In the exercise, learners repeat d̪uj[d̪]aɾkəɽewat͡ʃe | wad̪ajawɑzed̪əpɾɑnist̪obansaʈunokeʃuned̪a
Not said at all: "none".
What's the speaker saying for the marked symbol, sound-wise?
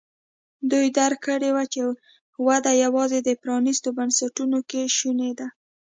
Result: d̪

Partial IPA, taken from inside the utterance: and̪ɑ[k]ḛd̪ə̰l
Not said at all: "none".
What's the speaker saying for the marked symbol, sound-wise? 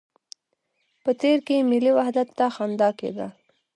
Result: k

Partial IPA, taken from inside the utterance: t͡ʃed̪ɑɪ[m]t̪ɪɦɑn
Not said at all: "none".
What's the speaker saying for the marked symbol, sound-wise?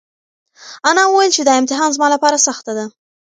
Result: m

